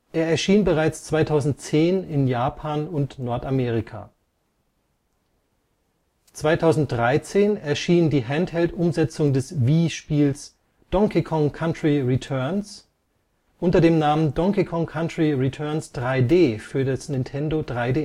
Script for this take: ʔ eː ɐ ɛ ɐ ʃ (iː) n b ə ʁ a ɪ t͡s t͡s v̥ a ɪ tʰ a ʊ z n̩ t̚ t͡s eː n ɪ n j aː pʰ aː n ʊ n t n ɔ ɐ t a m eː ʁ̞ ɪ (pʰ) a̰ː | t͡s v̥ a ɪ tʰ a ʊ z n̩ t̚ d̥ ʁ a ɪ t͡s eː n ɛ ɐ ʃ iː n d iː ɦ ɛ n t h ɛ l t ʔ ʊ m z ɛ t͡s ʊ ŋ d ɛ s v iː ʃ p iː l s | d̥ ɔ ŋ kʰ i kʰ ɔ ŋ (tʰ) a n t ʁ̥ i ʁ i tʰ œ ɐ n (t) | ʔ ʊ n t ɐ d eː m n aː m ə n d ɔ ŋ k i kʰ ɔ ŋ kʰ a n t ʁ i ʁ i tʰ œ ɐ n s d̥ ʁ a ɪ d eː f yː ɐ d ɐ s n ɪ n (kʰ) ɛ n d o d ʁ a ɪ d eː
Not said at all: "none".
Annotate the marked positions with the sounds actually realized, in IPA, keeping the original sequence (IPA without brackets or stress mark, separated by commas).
iː, kʰ, kʰ, s, tʰ